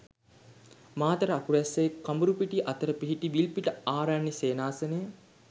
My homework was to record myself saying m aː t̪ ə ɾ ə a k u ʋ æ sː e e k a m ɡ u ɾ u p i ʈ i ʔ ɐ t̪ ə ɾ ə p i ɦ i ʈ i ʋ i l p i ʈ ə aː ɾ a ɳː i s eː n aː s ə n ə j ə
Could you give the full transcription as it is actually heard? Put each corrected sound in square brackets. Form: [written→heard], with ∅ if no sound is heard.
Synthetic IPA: m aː t̪ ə ɾ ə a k u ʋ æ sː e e k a m [ɡ→b] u ɾ u p i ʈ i ʔ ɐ t̪ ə ɾ ə p i ɦ i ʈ i ʋ i l p i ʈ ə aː ɾ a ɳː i s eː n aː s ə n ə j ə